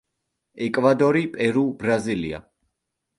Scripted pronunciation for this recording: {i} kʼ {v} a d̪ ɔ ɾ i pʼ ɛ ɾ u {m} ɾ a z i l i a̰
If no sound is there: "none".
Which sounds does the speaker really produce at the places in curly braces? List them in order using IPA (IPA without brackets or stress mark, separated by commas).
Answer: ɛ, v, b